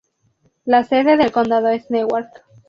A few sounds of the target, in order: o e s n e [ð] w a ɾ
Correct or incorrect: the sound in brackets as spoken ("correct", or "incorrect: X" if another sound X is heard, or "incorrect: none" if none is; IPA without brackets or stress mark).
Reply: incorrect: none